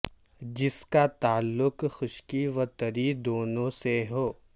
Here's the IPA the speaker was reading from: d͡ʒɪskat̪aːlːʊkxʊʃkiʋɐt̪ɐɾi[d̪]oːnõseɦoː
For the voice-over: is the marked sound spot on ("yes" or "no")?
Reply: yes